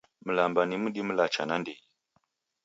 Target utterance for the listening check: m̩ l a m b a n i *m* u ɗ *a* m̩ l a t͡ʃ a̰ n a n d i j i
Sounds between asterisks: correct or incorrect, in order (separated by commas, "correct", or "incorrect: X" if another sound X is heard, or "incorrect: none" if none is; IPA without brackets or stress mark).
correct, incorrect: i